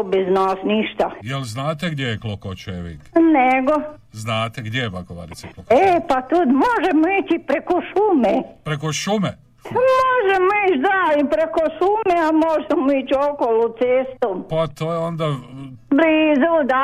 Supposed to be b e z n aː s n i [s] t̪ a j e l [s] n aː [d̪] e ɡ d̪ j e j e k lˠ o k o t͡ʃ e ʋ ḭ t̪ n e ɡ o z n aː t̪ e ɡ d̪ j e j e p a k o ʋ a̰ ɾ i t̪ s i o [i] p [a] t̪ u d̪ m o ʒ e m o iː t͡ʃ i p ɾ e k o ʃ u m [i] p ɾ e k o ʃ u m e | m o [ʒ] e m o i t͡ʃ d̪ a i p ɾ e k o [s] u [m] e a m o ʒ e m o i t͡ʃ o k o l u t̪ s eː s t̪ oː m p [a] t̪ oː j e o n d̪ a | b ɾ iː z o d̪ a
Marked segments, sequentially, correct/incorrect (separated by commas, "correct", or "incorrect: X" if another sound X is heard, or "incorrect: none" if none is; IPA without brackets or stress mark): incorrect: ʃ, incorrect: z, incorrect: t̪, incorrect: e, correct, incorrect: e, correct, incorrect: ʃ, correct, correct